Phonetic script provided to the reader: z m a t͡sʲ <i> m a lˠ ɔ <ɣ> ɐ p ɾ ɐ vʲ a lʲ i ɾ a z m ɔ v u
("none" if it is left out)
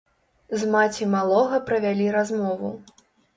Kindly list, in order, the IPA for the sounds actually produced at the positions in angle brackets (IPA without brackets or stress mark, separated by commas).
i, ɣ